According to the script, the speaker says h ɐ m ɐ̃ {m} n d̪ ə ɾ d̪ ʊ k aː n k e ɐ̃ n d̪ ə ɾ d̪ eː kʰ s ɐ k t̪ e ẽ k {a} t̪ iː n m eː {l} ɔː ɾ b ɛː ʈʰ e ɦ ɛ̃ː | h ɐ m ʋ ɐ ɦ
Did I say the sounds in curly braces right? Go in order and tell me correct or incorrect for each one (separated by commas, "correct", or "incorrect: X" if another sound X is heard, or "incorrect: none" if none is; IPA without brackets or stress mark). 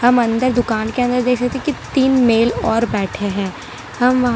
incorrect: none, incorrect: i, correct